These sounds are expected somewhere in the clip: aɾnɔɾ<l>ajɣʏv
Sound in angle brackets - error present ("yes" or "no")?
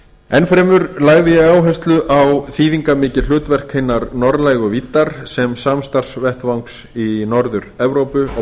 no